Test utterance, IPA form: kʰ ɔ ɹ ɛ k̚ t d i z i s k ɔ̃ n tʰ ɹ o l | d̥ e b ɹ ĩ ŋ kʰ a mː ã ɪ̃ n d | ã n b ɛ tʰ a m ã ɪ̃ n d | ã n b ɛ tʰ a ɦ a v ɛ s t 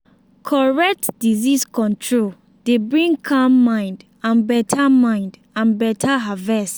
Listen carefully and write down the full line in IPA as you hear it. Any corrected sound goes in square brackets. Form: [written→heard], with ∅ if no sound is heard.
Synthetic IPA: kʰ ɔ ɹ ɛ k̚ t d i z i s k ɔ̃ n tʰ ɹ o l | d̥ e b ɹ ĩ ŋ kʰ a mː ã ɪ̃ n d | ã n b ɛ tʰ a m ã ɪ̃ n d | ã n b ɛ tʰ a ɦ a v ɛ s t